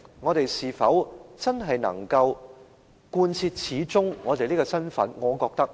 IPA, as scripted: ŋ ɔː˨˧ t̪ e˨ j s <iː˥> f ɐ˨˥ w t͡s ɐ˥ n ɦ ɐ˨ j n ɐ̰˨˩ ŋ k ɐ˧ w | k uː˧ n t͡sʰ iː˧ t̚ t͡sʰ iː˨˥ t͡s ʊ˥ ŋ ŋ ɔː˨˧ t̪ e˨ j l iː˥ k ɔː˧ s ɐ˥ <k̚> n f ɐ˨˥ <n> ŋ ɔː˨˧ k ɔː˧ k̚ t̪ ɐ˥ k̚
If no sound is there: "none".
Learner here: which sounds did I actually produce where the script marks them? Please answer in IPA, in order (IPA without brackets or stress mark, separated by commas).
iː˨˩, none, n